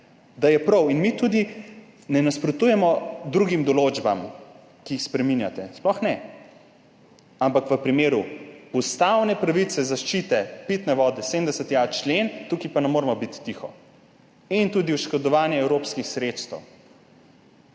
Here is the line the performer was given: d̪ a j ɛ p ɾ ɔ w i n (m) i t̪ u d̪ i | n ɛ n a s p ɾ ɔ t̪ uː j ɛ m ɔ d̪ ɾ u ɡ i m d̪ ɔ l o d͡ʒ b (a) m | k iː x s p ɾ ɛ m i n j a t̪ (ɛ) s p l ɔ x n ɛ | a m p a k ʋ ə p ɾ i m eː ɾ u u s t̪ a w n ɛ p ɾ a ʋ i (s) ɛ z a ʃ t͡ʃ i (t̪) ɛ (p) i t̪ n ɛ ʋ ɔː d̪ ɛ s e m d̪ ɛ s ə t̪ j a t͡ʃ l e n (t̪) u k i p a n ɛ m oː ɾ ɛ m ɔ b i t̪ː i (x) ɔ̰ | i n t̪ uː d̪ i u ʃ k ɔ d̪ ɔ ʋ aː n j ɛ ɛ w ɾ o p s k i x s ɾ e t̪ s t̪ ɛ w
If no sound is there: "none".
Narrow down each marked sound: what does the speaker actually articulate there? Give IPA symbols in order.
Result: m, a, ɛ, s, t̪, p, t̪, x

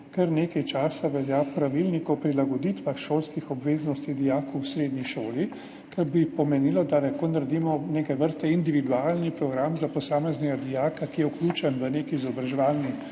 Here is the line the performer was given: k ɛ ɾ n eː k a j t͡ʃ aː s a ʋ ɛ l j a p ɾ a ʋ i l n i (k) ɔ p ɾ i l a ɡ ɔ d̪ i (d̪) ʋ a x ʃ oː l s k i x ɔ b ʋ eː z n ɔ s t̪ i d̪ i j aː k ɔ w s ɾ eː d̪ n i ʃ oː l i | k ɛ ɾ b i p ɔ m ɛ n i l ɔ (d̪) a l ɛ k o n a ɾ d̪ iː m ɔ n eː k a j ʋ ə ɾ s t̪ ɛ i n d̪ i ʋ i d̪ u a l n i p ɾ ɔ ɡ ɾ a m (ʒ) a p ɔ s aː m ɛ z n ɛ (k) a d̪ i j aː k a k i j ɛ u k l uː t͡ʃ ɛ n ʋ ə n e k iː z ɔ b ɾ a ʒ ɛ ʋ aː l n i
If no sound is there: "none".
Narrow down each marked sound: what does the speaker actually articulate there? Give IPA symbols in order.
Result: k, t̪, d̪, z, ɡ

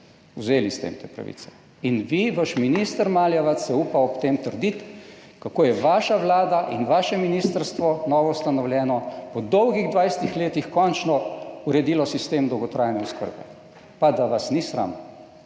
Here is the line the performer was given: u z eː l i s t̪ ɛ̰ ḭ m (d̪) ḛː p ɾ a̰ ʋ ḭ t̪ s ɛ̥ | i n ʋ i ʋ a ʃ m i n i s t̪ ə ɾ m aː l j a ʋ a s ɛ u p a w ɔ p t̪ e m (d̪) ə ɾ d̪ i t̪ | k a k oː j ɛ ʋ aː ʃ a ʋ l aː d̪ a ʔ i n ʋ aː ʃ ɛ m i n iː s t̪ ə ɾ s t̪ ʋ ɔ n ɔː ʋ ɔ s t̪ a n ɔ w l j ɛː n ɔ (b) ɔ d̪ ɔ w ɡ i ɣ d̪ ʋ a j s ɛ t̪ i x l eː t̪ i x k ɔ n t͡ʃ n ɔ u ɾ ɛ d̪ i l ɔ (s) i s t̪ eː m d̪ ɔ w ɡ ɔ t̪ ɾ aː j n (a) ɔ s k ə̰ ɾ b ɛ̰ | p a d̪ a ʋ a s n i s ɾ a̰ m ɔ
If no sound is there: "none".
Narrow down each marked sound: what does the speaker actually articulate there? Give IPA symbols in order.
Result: t̪, t̪, p, s, ɛ

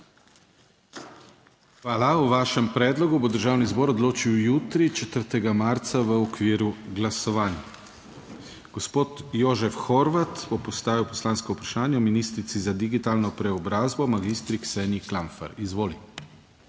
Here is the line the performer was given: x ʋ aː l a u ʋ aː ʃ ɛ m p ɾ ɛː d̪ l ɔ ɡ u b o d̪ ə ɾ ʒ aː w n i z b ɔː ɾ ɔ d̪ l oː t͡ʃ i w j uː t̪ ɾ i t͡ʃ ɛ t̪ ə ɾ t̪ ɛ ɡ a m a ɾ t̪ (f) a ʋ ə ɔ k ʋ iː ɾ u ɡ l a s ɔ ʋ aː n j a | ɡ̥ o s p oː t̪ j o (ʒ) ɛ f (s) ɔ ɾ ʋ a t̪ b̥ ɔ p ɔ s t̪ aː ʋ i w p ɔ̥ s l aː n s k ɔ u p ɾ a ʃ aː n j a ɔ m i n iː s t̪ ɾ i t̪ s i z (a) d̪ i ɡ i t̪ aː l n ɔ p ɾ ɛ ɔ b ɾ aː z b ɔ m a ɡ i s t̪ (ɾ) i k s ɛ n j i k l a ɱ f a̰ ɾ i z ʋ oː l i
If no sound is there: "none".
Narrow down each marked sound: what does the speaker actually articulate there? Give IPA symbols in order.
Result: s, ʒ, x, a, ɾ

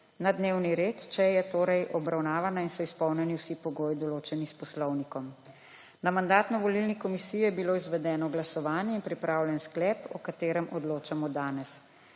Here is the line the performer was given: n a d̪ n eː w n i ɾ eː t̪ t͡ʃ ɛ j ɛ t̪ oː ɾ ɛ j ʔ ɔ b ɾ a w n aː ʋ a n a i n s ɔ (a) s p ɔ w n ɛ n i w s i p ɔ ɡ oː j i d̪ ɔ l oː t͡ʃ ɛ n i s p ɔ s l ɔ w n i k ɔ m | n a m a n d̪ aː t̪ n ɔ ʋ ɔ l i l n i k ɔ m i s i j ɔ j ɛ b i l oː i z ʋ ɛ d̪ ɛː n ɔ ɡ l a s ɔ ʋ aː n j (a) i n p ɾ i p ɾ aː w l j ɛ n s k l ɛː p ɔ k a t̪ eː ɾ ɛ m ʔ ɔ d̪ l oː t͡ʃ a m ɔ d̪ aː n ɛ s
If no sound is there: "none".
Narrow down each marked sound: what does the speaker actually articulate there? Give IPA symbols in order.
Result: i, ɛ

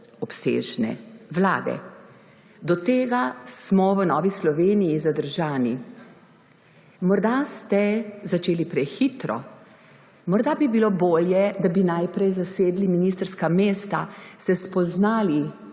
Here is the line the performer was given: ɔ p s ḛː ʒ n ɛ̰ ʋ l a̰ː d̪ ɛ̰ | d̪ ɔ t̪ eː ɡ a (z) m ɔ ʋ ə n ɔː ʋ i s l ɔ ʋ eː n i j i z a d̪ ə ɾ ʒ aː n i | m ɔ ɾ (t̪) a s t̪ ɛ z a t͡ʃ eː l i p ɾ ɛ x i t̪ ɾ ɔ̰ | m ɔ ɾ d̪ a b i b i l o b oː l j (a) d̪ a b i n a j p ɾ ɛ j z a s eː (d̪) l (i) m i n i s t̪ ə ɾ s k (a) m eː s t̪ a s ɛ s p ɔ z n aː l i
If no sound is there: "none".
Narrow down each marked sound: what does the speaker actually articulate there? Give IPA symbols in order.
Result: s, d̪, ɛ, d̪, i, a

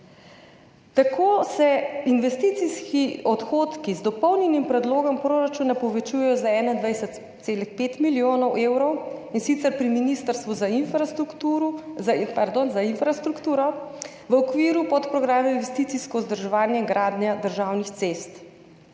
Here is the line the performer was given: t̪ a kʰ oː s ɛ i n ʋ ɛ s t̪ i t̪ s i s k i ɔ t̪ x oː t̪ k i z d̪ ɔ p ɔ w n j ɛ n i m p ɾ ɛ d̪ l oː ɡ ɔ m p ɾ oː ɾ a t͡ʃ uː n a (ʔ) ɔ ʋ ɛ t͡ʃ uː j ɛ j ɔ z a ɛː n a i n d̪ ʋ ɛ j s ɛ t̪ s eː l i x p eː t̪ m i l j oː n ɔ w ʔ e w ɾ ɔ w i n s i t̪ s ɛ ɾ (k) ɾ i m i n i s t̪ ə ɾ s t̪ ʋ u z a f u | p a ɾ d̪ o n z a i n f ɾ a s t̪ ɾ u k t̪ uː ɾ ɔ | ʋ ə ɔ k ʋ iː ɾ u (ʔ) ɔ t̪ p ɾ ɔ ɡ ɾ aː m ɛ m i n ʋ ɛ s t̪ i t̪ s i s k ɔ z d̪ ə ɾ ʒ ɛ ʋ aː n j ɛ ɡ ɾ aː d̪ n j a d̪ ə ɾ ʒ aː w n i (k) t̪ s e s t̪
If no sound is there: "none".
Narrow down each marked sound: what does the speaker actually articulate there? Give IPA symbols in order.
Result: p, p, p, x

